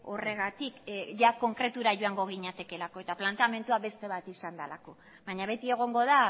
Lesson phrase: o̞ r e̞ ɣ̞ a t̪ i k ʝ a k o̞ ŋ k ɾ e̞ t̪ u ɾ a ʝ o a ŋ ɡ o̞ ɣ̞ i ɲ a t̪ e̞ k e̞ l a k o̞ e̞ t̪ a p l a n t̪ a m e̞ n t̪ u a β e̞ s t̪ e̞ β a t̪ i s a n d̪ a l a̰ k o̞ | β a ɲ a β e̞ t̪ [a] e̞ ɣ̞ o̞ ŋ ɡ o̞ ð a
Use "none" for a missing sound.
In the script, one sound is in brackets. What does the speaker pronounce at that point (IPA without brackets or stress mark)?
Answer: i